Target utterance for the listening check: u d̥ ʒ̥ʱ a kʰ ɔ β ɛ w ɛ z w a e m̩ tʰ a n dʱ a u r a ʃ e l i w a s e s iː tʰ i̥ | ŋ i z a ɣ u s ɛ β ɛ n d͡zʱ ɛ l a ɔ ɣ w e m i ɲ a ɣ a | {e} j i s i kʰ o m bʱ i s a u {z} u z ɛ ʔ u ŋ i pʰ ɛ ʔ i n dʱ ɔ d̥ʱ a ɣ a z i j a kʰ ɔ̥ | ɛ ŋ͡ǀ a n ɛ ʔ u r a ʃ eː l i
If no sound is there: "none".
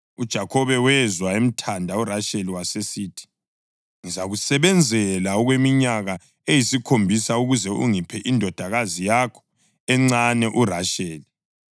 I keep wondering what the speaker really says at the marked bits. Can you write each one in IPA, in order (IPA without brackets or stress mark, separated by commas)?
e, ɣ